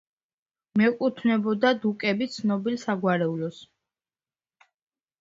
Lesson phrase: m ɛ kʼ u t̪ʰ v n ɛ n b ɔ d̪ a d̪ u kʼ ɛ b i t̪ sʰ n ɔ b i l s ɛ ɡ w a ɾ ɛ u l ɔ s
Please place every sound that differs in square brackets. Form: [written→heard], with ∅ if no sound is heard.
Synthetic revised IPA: m ɛ kʼ u t̪ʰ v n ɛ [n→∅] b ɔ d̪ a d̪ u kʼ ɛ b i t̪ sʰ n ɔ b i l s [ɛ→a] ɡ w a ɾ ɛ u l ɔ s